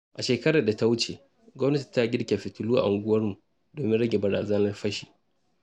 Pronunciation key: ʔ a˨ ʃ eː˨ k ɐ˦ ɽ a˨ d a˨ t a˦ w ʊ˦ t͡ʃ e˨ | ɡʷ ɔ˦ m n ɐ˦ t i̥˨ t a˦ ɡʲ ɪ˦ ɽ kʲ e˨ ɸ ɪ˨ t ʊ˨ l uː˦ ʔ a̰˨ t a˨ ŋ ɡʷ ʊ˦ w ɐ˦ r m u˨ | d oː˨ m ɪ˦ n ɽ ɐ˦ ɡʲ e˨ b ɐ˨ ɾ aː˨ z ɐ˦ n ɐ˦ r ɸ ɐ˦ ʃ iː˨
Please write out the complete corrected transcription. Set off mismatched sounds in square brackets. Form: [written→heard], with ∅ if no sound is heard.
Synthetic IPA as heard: ʔ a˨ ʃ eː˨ k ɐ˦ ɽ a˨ d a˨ t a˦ w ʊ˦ t͡ʃ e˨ | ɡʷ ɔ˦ m n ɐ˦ t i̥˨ t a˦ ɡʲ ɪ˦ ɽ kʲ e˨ ɸ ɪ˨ t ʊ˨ l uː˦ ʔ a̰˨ [t→ʔ] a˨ ŋ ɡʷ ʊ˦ w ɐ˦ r m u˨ | d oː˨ m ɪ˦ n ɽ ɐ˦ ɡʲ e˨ b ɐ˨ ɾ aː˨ z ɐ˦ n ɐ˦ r ɸ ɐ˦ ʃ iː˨

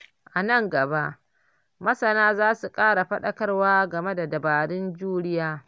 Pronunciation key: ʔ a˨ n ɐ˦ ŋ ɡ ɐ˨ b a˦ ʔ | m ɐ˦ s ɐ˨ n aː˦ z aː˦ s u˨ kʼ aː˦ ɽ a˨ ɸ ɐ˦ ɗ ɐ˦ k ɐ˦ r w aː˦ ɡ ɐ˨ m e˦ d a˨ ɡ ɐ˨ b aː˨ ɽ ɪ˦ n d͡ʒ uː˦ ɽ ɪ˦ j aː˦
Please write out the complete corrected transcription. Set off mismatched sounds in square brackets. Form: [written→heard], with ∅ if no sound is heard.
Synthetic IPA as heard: ʔ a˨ n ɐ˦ ŋ ɡ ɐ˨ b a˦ ʔ | m ɐ˦ s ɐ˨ n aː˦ z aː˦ s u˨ kʼ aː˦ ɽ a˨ ɸ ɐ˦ ɗ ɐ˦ k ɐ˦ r w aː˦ ɡ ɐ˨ m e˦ d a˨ [ɡ→d] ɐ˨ b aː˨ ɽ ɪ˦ n d͡ʒ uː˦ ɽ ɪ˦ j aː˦

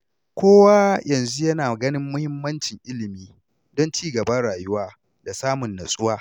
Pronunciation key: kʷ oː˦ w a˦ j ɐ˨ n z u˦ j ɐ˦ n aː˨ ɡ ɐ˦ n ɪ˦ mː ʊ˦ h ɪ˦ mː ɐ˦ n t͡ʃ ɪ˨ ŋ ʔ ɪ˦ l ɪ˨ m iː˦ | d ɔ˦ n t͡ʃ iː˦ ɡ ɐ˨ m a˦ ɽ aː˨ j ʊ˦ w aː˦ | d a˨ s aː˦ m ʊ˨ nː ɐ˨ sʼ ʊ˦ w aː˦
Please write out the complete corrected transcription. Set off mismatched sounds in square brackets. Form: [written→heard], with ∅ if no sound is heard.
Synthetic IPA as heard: kʷ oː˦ w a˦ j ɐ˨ n z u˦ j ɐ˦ n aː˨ ɡ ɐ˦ n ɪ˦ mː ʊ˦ h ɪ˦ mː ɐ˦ n t͡ʃ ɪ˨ ŋ ʔ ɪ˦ l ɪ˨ m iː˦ | d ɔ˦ n t͡ʃ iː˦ ɡ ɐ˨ [m→b] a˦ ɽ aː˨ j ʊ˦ w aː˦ | d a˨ s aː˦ m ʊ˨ nː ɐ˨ sʼ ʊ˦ w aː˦

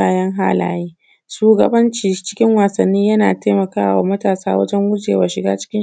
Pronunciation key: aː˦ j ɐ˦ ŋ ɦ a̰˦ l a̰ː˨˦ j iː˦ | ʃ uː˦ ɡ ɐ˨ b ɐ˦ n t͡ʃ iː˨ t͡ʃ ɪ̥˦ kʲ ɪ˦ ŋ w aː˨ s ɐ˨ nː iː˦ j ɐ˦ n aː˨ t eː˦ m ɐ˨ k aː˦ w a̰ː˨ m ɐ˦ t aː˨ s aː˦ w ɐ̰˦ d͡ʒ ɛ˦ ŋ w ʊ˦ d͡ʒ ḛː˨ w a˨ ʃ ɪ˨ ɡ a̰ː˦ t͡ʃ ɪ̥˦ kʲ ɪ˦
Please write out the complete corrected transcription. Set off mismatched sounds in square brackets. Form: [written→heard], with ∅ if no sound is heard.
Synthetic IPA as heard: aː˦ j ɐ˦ ŋ ɦ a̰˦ l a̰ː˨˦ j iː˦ | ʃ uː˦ ɡ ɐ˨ b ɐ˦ n t͡ʃ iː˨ t͡ʃ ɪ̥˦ kʲ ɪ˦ ŋ w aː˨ s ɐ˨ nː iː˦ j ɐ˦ n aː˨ t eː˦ m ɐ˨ k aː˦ w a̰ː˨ m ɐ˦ t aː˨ s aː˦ w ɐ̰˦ d͡ʒ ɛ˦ ŋ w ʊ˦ d͡ʒ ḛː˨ w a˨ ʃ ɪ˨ ɡ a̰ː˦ t͡ʃ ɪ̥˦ kʲ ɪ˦

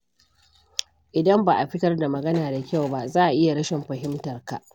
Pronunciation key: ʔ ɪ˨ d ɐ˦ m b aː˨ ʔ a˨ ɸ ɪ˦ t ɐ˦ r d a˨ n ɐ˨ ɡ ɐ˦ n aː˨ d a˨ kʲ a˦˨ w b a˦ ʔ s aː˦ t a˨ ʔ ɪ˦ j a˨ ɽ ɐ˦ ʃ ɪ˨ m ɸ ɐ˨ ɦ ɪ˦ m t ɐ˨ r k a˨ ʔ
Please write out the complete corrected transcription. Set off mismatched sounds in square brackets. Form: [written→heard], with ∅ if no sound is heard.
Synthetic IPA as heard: ʔ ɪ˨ d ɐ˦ m b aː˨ ʔ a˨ ɸ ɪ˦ t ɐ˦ r d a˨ [n→m] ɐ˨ ɡ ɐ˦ n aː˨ d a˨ kʲ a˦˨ w b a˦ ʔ [s→z] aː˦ [t→ʔ] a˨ ʔ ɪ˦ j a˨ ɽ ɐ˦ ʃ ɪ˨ m ɸ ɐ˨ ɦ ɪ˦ m t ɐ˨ r k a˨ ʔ

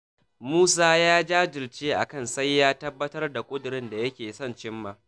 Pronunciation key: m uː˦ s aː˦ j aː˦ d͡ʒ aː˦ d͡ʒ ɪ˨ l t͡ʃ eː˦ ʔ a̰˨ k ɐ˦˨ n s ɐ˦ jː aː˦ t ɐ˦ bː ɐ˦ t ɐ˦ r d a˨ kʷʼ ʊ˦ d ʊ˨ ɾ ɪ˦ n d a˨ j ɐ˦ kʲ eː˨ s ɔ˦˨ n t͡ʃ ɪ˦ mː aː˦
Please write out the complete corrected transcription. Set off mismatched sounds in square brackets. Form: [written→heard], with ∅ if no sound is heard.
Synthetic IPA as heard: m uː˦ s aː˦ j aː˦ d͡ʒ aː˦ d͡ʒ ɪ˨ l t͡ʃ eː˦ ʔ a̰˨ k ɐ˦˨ n s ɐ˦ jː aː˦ t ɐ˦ bː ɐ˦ t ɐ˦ r d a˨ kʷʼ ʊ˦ d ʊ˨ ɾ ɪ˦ n d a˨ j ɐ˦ kʲ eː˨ s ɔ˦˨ n t͡ʃ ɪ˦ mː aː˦

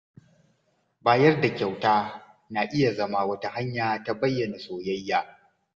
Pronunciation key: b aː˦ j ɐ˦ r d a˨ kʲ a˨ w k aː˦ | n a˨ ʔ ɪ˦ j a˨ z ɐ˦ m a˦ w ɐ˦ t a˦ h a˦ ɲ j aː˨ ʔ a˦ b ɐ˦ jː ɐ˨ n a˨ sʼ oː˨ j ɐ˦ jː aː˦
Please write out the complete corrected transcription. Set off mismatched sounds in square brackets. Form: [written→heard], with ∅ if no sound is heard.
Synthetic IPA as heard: b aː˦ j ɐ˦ r d a˨ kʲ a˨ w [k→t] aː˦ | n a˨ ʔ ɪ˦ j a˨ z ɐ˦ m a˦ w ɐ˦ t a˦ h a˦ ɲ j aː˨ [ʔ→t] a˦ b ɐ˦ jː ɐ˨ n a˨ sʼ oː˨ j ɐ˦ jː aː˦

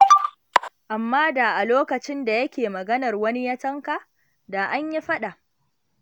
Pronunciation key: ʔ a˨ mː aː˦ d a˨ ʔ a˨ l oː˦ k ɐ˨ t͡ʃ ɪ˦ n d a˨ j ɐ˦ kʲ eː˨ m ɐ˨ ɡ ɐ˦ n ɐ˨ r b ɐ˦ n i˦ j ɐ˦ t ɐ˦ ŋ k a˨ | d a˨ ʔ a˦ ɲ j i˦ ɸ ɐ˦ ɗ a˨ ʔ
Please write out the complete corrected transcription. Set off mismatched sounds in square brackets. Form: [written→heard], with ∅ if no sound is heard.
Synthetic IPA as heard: ʔ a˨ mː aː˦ d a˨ ʔ a˨ l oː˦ k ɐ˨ t͡ʃ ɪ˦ n d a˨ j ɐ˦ kʲ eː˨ m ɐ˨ ɡ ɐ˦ n ɐ˨ r [b→w] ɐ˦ n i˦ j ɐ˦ t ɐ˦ ŋ k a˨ | d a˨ ʔ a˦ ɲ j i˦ ɸ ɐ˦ ɗ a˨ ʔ

